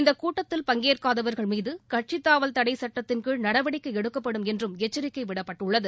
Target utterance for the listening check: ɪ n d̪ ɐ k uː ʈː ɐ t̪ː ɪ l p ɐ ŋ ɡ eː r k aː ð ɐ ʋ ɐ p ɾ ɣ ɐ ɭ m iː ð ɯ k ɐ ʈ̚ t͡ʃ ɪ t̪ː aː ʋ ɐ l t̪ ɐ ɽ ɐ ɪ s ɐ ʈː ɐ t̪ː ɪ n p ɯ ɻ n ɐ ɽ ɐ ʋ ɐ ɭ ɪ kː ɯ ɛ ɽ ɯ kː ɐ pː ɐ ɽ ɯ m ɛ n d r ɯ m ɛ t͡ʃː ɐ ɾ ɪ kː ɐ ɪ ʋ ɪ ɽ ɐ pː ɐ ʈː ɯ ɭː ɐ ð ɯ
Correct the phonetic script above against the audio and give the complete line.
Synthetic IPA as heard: ɪ n d̪ ɐ k uː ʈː ɐ t̪ː ɪ l p ɐ ŋ ɡ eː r k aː ð ɐ ʋ ɐ ɾ ɣ ɐ ɭ m iː ð ɯ k ɐ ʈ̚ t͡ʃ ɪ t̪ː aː ʋ ɐ l t̪ ɐ ɽ ɐ ɪ s ɐ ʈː ɐ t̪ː ɪ n k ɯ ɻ n ɐ ɽ ɐ ʋ ɐ ɽ ɪ kː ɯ ɛ ɽ ɯ kː ɐ pː ɐ ɽ ɯ m ɛ n d r ɯ m ɛ t͡ʃː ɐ ɾ ɪ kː ɐ ɪ ʋ ɪ ɽ ɐ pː ɐ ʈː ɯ ɭː ɐ ð ɯ

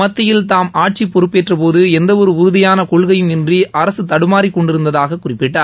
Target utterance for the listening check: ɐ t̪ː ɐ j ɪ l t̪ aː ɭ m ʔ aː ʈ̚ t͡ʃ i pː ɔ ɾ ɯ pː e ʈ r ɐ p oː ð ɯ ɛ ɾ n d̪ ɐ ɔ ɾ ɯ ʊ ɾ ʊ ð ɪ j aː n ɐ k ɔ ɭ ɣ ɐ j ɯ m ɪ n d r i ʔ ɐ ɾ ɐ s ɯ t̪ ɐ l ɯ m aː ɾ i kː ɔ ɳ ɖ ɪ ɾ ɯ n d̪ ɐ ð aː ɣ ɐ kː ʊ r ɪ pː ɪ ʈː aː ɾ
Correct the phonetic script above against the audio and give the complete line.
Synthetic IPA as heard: ɐ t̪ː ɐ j ɪ l t̪ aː m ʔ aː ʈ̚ t͡ʃ i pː ɔ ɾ ɯ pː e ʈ r ɐ p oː ð ɯ ɛ n d̪ ɐ ɔ ɾ ɯ ʊ ɾ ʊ ð ɪ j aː n ɐ k ɔ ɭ ɣ ɐ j ɯ m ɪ n d r i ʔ ɐ ɾ ɐ s ɯ t̪ ɐ ɽ ɯ m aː ɾ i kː ɔ ɳ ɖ ɪ ɾ ɯ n d̪ ɐ ð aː ɣ ɐ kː ʊ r ɪ pː ɪ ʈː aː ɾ

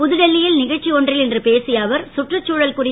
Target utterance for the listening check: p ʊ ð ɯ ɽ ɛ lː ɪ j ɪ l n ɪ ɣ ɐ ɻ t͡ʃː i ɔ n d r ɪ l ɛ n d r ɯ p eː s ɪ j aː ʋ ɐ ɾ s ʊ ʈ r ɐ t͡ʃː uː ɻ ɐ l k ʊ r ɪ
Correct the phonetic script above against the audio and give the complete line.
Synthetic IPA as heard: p ʊ ð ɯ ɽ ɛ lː ɪ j ɪ l n ɪ ɣ ɐ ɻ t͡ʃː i ɔ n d r ɪ l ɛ n d r ɯ p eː s ɪ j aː ʋ ɐ ɾ s ʊ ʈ r ɐ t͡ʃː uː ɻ ɐ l k ʊ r ɪ

